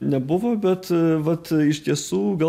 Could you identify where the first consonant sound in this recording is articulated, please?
alveolar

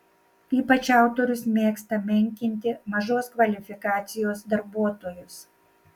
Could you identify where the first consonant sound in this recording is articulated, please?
labial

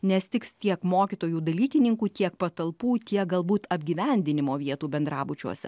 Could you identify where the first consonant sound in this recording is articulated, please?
alveolar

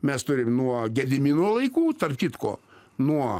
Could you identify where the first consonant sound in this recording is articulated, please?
labial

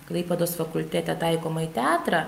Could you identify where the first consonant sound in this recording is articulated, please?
velar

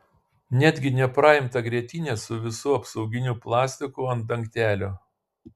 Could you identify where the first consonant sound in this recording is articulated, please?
alveolar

